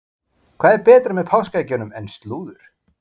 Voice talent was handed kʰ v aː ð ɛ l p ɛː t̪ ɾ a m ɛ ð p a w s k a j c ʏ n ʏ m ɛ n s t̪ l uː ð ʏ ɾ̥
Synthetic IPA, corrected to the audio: kʰ v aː ð ɛ ɾ p ɛː t̪ ɾ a m ɛ ð pʰ a w s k a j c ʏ n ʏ m ɛ n s t̪ l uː ð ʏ ɾ̥